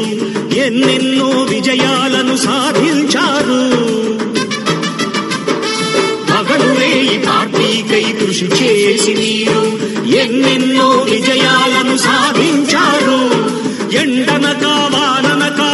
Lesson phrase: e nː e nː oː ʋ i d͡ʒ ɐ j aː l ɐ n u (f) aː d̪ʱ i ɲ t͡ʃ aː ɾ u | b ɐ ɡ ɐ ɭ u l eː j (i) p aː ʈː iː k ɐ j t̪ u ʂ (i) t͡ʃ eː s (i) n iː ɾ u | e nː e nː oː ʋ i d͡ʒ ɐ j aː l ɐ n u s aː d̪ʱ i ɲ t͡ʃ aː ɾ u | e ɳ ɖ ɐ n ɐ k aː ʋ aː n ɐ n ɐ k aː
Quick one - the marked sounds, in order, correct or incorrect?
incorrect: s, correct, correct, correct

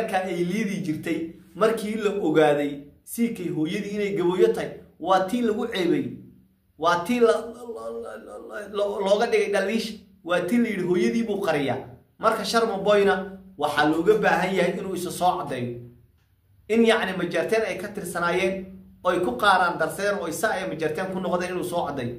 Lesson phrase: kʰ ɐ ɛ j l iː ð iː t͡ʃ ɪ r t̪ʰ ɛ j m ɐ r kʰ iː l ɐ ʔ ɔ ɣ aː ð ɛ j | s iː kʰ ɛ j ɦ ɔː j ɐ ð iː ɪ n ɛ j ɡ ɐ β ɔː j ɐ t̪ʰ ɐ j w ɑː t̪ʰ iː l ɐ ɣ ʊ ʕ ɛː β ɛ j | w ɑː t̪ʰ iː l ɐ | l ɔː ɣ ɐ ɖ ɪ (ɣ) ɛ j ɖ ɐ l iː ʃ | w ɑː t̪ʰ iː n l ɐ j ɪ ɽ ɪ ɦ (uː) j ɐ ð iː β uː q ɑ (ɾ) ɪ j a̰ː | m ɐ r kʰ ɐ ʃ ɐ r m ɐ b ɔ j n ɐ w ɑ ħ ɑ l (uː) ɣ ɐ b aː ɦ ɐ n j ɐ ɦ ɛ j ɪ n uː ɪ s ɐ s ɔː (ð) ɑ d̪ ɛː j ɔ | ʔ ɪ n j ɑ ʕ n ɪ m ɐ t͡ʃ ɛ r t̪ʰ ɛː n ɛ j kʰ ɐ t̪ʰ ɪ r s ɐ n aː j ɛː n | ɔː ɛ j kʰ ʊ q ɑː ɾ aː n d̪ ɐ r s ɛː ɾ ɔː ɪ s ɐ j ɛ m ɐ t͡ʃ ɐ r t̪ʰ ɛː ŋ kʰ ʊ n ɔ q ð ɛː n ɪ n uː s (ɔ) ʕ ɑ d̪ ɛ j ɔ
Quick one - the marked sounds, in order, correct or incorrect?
correct, incorrect: ɔː, correct, incorrect: ɔː, incorrect: ʕ, incorrect: ɔː

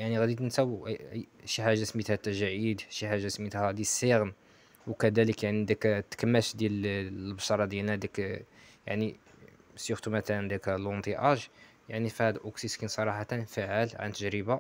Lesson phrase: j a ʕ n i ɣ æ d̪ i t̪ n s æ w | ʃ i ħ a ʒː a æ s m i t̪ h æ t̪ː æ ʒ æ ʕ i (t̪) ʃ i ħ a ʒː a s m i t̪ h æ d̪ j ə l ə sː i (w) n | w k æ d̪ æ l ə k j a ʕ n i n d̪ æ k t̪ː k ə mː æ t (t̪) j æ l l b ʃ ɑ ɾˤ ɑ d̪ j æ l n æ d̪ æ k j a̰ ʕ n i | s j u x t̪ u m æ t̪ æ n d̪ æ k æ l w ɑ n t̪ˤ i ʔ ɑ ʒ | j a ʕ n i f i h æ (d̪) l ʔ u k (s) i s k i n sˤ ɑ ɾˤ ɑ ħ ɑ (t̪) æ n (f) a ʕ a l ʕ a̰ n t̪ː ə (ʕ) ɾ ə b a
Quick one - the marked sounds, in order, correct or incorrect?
incorrect: d̪, incorrect: ɣ, incorrect: d̪, correct, correct, correct, correct, incorrect: ʒ

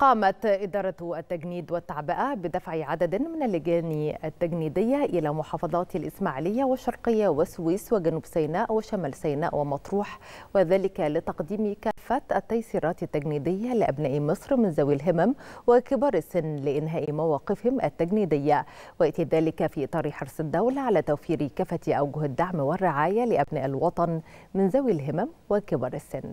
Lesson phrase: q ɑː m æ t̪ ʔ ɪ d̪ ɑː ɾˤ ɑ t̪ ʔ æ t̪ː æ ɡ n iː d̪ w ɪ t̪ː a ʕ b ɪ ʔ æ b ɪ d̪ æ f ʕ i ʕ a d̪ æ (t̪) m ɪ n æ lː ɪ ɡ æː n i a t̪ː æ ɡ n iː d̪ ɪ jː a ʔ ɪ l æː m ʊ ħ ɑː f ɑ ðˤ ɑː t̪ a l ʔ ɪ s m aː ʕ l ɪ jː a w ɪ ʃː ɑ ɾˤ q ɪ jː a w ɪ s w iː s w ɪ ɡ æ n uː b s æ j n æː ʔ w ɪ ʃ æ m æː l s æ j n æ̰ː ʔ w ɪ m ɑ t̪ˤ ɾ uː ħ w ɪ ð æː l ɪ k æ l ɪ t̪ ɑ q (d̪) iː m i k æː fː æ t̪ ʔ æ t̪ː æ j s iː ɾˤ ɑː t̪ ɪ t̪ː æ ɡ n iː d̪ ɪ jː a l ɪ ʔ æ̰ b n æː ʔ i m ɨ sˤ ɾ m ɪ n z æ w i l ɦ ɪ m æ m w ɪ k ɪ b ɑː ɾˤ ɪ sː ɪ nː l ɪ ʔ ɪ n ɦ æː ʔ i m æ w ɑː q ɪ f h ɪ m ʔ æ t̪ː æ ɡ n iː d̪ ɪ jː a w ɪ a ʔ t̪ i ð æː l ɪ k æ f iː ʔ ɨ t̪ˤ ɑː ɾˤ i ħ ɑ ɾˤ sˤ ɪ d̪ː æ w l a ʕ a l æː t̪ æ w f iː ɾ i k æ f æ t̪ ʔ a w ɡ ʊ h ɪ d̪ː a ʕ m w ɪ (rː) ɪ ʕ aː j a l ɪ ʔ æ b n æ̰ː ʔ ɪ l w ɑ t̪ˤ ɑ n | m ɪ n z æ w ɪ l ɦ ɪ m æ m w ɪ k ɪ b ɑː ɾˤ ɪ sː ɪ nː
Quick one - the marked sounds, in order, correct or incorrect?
incorrect: d̪, correct, correct

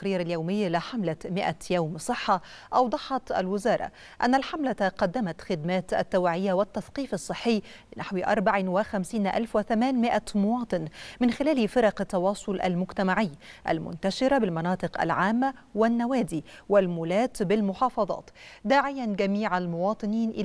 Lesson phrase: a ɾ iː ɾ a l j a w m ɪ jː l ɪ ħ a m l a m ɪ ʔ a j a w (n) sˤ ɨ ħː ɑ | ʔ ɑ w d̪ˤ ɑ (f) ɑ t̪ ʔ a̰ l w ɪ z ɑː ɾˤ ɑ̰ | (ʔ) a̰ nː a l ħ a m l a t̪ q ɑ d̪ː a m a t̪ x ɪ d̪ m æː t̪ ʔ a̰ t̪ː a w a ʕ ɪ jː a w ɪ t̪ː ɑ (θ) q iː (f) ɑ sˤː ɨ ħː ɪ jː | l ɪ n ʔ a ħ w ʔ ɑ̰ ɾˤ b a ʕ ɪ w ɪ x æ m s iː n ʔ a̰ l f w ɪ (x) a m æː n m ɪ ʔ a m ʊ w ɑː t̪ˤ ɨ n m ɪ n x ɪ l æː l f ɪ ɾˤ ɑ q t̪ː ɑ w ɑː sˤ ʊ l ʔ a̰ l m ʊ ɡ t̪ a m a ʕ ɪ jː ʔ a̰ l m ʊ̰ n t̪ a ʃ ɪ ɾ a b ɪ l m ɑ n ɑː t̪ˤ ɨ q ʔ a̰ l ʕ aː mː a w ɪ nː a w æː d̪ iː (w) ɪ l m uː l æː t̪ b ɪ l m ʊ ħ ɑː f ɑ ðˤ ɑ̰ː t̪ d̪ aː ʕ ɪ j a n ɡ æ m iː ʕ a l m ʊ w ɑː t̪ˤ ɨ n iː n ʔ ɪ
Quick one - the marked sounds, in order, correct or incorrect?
incorrect: m, incorrect: ħ, correct, correct, correct, incorrect: θ, correct

